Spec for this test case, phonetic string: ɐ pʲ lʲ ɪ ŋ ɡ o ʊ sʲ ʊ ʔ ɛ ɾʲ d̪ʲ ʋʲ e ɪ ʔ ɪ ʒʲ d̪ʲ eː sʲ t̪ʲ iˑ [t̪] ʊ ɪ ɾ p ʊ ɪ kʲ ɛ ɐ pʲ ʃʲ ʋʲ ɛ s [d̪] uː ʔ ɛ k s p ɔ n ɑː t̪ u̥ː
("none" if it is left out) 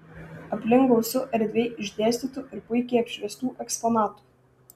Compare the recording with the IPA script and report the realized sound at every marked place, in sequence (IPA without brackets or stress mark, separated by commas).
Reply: t̪, t̪